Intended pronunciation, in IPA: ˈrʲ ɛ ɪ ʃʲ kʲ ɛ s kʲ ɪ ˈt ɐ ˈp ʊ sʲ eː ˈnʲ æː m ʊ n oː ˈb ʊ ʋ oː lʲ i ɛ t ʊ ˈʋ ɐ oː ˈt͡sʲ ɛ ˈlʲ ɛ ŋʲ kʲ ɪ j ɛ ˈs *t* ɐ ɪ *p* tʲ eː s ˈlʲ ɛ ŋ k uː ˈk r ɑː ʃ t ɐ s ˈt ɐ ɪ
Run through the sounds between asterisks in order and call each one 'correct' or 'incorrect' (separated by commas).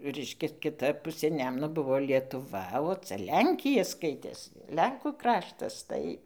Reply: incorrect, incorrect